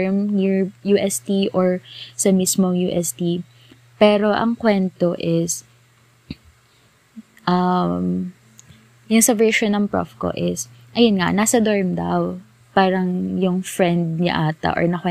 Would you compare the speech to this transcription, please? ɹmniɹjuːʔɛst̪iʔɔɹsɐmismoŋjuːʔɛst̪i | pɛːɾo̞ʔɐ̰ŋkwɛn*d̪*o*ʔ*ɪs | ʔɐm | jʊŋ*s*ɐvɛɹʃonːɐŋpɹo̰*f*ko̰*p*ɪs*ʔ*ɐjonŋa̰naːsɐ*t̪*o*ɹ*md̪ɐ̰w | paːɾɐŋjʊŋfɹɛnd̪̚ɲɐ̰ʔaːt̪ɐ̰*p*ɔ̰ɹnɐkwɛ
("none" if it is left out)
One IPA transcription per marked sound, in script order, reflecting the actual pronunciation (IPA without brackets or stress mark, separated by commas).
t̪, ʔ, s, f, ʔ, ʔ, d̪, ɹ, ʔ